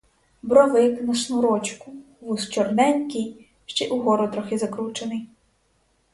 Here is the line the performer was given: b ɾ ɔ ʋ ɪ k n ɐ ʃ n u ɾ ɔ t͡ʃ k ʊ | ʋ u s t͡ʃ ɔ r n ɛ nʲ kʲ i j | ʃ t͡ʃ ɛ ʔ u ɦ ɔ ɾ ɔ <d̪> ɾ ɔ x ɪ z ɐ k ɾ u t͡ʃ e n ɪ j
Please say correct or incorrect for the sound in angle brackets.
correct